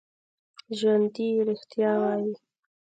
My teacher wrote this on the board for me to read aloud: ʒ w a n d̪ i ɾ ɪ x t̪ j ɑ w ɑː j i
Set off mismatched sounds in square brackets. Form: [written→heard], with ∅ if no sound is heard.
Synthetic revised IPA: ʒ w a n d̪ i ɾ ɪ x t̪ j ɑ w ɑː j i